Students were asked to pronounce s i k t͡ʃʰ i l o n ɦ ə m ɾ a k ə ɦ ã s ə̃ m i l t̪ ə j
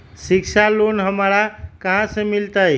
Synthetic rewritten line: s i k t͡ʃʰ a l o n ɦ ə m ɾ a k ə ɦ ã s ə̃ m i l t̪ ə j